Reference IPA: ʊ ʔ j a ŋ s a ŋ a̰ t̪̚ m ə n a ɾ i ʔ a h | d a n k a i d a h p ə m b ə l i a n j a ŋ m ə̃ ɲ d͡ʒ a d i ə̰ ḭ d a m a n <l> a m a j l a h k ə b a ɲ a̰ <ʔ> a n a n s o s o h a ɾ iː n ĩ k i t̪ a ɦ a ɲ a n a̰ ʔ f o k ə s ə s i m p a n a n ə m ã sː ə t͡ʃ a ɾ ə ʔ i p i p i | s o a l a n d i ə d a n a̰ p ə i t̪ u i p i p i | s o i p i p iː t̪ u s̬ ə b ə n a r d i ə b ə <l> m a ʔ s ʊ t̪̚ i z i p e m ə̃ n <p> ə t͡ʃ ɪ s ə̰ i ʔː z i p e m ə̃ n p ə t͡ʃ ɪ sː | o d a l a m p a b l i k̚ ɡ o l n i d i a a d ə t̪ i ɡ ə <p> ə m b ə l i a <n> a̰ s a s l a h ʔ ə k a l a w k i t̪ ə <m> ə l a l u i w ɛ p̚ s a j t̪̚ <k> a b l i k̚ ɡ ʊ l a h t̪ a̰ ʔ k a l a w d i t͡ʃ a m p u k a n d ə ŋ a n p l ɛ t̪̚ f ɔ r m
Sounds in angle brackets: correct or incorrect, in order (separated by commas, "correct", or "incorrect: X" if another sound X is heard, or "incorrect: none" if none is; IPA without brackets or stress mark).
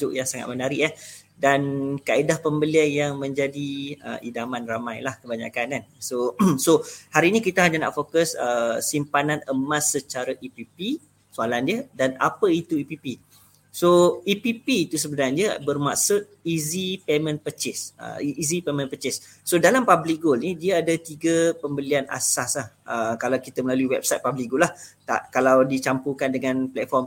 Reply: incorrect: r, incorrect: k, incorrect: r, correct, correct, correct, correct, incorrect: p